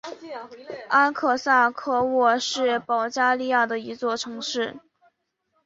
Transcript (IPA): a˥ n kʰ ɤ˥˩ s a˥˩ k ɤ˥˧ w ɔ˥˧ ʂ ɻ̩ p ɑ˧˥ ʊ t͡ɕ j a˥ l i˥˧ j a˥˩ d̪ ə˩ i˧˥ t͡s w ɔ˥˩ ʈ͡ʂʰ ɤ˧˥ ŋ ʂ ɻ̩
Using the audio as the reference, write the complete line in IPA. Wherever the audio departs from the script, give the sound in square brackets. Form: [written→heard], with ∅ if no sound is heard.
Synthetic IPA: a˥ n kʰ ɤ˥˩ s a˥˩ [k→kʰ] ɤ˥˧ w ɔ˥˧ ʂ ɻ̩ p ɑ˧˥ ʊ t͡ɕ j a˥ l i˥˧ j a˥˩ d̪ ə˩ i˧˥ t͡s w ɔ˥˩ ʈ͡ʂʰ ɤ˧˥ ŋ ʂ ɻ̩